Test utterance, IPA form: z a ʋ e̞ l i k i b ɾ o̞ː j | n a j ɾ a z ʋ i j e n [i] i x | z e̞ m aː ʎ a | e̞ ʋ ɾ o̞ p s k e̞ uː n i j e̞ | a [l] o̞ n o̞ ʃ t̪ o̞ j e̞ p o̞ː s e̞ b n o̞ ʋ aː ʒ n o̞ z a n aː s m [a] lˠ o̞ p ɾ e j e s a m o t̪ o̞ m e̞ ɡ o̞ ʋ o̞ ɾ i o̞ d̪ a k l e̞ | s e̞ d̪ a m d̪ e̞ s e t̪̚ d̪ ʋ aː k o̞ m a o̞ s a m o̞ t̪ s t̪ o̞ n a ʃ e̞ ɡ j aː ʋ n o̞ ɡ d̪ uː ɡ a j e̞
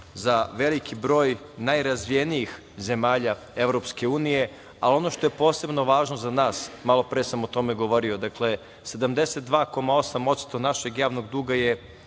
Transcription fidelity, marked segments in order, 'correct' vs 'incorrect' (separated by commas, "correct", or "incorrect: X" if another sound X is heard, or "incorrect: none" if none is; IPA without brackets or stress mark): correct, correct, correct